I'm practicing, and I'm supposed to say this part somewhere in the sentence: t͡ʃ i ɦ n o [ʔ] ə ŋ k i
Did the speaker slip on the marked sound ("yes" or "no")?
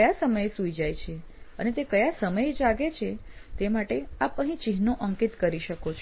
no